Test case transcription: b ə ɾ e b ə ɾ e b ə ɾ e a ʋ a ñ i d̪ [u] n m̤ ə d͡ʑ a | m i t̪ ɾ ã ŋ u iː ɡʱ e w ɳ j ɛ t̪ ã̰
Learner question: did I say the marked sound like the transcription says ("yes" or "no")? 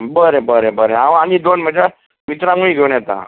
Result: no